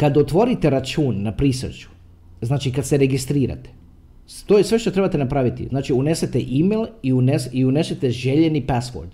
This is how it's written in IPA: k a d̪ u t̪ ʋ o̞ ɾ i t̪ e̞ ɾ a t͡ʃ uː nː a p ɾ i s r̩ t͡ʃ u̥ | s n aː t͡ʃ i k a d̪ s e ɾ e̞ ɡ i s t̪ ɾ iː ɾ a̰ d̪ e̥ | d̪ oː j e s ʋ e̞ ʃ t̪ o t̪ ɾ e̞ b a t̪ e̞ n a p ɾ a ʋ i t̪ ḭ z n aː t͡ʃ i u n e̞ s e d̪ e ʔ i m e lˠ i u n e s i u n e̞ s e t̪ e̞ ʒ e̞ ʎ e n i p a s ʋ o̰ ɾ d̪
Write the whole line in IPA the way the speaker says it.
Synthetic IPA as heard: k a d̪ o t̪ ʋ o̞ ɾ i t̪ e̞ ɾ a t͡ʃ uː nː a p ɾ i s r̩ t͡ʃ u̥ | z n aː t͡ʃ i k a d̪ s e ɾ e̞ ɡ i s t̪ ɾ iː ɾ a̰ t̪ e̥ | t̪ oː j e s ʋ e̞ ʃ t̪ o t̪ ɾ e̞ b a t̪ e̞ n a p ɾ a ʋ i t̪ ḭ z n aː t͡ʃ i u n e̞ s e t̪ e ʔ i m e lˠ i u n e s i u n e̞ s e t̪ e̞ ʒ e̞ ʎ e n i p a s ʋ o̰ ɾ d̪